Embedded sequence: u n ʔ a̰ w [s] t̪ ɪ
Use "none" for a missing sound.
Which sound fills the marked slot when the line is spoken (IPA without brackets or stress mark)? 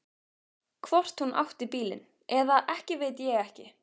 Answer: h